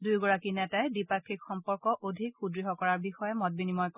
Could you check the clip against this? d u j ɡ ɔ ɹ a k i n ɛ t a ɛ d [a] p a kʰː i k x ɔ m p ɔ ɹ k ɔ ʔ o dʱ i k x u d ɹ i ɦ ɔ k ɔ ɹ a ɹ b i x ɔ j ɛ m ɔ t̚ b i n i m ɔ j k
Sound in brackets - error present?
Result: yes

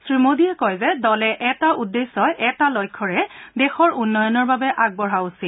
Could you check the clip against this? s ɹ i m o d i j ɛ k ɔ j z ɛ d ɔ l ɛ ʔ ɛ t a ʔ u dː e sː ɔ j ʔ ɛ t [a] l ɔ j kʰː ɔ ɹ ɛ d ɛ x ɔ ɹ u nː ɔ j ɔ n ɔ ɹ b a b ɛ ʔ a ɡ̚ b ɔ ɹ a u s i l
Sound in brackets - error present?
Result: no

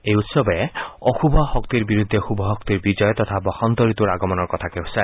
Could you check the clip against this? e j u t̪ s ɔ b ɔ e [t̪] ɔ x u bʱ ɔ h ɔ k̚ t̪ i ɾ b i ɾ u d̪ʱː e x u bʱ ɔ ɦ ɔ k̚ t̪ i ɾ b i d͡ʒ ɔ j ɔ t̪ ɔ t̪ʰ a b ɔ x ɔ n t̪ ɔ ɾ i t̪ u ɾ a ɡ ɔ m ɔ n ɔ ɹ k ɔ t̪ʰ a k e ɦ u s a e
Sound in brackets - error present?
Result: yes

